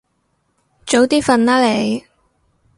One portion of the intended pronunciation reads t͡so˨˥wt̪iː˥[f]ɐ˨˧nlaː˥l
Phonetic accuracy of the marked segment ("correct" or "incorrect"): correct